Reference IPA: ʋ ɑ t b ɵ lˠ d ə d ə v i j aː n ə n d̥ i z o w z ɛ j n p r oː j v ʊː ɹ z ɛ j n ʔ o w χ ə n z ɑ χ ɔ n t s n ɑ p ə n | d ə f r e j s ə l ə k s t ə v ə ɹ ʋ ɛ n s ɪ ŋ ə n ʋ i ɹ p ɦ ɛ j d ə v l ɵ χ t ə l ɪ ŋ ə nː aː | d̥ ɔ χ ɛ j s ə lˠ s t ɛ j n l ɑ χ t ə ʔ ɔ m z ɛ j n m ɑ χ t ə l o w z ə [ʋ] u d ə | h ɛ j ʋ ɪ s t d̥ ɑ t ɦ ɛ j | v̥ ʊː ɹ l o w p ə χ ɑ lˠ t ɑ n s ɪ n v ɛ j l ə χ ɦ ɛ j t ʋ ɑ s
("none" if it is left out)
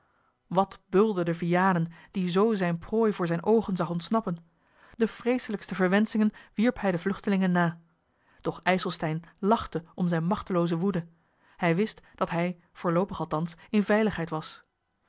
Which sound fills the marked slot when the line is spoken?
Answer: ʋ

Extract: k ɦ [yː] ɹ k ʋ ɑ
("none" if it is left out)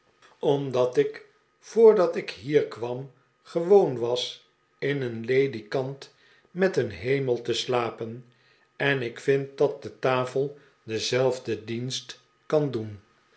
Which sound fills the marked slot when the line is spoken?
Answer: iː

